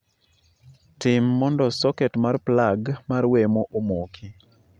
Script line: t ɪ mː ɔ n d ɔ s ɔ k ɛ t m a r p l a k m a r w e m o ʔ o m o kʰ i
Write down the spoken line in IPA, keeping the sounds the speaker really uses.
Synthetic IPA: t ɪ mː ɔ n d ɔ s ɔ k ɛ t m a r p l a ɡ m a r w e m o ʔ o m o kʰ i